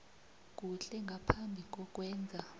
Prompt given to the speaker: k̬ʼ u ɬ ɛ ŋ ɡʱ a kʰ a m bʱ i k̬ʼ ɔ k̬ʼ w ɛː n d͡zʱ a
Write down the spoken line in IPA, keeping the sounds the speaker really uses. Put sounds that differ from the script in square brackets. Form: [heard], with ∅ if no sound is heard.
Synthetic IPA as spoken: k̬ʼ u ɬ ɛ ŋ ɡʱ a [pʰ] a m bʱ i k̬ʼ ɔ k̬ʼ w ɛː n d͡zʱ a

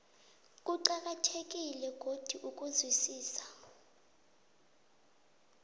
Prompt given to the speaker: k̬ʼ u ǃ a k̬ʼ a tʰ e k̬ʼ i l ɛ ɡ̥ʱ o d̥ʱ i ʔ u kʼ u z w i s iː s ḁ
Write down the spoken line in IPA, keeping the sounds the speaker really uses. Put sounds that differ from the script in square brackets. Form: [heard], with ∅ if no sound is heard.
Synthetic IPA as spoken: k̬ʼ u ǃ a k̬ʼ a tʰ e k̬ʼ i l ɛ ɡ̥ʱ o d̥ʱ i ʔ u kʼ u z w i s iː s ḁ

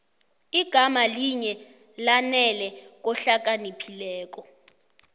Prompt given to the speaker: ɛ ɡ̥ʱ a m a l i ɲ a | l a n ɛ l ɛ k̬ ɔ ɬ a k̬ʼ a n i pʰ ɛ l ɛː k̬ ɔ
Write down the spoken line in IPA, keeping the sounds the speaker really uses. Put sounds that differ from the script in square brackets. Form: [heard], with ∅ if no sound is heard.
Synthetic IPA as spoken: [i] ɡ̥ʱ a m a l i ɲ [ɛ] | l a n ɛ l ɛ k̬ ɔ ɬ a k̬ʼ a n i pʰ [i] l ɛː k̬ ɔ

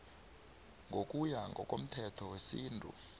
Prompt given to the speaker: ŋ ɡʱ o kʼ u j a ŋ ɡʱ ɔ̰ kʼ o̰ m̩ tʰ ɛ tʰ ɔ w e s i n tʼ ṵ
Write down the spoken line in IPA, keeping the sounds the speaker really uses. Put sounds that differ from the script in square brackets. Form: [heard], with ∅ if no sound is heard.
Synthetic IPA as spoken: ŋ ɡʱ o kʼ u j a ŋ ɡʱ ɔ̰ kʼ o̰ m̩ tʰ ɛ tʰ ɔ w e s [iː] n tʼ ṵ

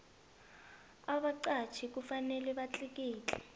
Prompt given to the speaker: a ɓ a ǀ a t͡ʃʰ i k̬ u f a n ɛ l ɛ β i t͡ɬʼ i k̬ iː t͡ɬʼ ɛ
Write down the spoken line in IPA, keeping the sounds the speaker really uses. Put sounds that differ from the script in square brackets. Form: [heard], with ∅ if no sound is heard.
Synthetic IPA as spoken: a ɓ a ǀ a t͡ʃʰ i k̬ u f a n ɛ l ɛ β [a] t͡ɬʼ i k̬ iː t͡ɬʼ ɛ

